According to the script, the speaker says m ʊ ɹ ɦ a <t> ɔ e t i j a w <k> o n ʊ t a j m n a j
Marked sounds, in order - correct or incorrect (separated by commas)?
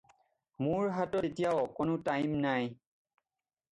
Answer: correct, correct